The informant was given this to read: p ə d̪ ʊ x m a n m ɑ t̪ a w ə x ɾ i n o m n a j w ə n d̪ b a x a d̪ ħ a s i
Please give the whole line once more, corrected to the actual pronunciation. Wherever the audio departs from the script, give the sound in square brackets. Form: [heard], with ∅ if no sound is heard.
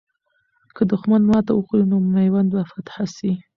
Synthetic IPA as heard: [k] ə d̪ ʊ x m a n m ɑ t̪ a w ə x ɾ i n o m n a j w [a] n d̪ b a [f] a [t̪] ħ a s i